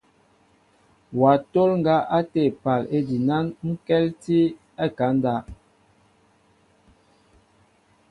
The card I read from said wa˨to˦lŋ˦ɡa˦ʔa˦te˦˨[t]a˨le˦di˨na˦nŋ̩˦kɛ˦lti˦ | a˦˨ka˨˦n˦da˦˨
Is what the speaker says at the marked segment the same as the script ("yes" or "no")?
no